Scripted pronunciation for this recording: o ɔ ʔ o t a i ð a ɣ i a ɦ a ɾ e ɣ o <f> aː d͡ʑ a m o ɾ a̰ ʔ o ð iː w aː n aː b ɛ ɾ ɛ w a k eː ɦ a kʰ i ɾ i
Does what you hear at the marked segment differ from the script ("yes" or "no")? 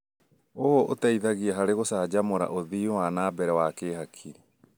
yes